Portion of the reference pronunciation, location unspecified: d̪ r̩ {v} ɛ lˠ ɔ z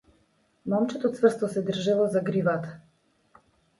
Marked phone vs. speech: incorrect: ʒ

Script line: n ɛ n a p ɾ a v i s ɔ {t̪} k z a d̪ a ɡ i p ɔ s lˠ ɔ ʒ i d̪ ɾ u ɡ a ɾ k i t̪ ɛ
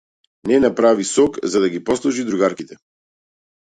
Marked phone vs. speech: incorrect: none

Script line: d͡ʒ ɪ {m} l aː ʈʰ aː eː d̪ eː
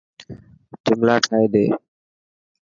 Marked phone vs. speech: correct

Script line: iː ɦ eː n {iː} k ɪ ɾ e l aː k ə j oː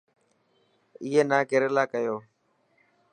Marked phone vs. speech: incorrect: aː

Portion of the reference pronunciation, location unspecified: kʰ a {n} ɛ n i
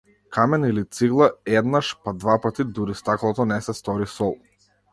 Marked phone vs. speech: incorrect: m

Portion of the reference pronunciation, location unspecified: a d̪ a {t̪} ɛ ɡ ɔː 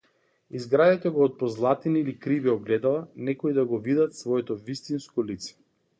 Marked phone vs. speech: correct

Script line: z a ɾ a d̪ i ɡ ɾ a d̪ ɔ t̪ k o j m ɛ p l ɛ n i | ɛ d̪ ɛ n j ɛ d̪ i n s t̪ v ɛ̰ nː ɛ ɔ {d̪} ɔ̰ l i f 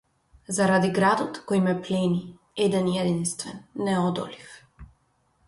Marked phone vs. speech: correct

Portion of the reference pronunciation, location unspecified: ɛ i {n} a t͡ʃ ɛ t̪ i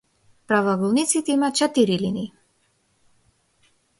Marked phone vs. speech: incorrect: m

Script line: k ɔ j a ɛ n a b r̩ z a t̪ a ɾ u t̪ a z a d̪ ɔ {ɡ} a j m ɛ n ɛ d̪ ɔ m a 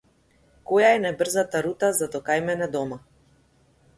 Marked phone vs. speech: incorrect: k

